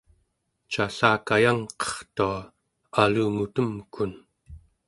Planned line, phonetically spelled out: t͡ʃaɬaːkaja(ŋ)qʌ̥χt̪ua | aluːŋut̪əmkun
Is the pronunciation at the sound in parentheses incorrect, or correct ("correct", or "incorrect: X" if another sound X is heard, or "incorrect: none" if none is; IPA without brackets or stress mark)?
correct